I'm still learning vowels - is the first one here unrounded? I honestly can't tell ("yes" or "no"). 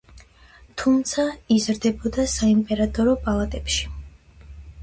no